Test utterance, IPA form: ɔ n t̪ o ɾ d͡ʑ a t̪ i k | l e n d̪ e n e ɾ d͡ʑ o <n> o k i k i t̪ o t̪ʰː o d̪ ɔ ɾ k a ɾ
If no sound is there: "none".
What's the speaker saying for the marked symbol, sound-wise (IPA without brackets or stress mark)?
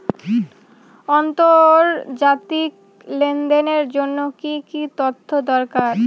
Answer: nː